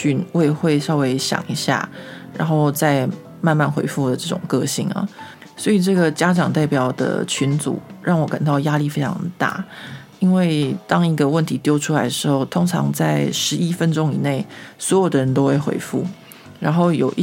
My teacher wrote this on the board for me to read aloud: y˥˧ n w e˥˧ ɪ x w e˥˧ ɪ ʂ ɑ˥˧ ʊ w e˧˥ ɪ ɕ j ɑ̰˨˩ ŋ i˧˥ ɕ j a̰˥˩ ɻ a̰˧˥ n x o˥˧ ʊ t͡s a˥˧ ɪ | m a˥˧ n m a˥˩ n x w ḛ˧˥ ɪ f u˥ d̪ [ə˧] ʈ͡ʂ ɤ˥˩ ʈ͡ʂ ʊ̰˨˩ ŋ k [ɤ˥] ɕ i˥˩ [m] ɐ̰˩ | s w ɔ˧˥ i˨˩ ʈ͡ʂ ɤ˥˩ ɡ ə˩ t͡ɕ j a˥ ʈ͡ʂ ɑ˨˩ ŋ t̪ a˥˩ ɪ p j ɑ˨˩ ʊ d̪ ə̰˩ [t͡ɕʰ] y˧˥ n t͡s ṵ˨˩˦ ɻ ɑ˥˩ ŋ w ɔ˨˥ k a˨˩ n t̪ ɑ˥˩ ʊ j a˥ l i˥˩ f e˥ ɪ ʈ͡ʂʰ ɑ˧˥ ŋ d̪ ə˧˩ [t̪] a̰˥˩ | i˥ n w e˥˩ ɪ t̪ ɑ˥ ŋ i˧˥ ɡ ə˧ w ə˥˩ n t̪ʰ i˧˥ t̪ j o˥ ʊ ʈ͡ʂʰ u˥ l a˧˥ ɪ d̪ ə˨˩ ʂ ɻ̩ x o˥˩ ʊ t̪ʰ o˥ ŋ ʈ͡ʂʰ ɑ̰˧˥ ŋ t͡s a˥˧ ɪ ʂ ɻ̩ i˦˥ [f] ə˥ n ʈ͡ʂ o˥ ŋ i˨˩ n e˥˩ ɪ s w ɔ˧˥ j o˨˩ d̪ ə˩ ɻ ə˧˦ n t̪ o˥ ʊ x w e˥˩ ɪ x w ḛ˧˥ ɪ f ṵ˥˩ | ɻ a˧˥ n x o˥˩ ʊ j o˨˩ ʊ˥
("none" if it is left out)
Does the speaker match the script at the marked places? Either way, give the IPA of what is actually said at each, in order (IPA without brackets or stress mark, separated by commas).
ə˩, ɤ˥˧, ŋ, t͡ɕʰ, t̪, f